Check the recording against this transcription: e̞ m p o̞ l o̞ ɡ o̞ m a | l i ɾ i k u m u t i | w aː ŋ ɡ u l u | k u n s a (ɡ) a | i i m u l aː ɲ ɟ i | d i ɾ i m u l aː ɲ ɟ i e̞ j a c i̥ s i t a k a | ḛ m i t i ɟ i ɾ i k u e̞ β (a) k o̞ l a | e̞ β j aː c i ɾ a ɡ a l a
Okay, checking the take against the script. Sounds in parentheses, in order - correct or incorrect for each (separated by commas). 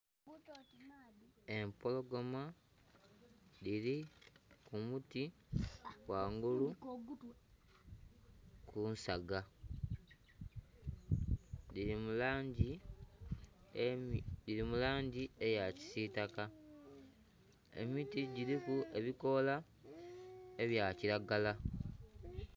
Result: correct, incorrect